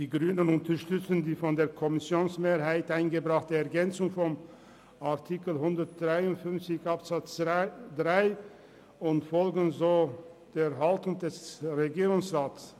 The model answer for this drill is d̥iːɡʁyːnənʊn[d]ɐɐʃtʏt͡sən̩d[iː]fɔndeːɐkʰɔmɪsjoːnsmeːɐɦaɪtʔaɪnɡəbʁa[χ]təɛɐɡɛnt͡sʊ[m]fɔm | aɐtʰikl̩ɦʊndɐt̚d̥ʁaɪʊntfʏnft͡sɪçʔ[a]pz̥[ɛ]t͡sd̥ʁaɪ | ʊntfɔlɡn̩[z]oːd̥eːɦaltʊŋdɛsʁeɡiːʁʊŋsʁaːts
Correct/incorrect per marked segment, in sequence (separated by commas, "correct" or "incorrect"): incorrect, correct, correct, incorrect, correct, incorrect, correct